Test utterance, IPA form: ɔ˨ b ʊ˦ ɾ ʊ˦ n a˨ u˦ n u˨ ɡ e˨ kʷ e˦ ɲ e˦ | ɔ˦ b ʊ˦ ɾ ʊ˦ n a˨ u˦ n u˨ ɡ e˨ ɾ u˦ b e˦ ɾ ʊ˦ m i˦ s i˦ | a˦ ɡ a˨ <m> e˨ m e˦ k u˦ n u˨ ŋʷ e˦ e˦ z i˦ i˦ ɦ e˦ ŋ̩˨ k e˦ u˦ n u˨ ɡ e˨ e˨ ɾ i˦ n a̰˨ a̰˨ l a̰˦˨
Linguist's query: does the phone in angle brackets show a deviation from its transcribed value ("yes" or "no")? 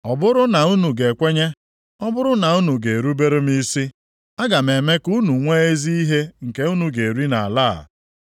no